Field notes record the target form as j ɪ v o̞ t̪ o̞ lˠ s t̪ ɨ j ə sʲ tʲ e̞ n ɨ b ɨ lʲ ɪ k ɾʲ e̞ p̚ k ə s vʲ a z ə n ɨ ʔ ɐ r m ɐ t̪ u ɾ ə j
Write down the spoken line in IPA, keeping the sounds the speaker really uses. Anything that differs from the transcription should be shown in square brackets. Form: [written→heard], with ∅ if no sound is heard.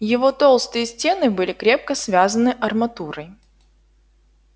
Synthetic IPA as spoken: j ɪ v o̞ t̪ o̞ lˠ s t̪ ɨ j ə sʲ tʲ e̞ n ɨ b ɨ lʲ ɪ k ɾʲ e̞ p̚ k ə s vʲ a z ə n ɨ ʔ ɐ r m ɐ t̪ u ɾ ə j